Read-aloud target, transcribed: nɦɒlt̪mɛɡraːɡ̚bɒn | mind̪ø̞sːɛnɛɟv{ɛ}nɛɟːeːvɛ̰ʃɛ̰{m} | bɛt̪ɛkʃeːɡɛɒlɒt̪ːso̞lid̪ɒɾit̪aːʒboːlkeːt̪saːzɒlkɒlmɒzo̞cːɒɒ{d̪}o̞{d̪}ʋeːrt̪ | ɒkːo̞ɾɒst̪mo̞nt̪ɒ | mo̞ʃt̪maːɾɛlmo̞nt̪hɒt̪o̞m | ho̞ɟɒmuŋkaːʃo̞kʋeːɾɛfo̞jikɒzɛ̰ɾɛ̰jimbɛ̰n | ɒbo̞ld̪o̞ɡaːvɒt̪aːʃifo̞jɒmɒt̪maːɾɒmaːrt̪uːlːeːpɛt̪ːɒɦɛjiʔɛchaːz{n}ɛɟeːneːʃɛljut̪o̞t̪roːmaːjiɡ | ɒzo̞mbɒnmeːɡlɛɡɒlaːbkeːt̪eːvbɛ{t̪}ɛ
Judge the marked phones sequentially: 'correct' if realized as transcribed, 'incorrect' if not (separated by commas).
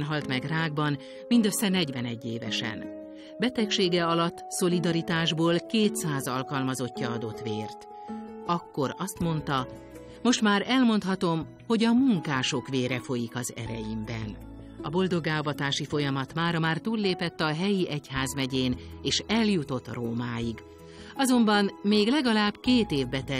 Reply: correct, incorrect, correct, incorrect, incorrect, correct